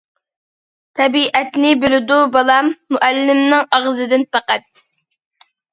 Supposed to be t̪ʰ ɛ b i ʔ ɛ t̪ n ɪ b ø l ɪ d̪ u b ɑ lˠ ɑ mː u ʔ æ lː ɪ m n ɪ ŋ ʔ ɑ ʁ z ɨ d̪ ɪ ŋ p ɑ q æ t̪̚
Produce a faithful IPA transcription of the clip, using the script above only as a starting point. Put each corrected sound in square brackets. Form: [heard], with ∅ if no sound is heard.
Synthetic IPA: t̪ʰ ɛ b i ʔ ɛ t̪ n ɪ b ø l ɪ d̪ u b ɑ lˠ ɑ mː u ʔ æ lː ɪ m n ɪ ŋ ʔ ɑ ʁ z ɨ d̪ ɪ [n] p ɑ q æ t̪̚